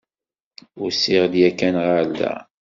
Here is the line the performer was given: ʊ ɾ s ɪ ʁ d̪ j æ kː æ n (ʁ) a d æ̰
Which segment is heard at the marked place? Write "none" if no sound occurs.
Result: ʁ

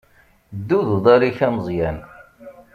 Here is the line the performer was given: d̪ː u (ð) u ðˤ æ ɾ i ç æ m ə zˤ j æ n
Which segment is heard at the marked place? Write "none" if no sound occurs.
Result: ð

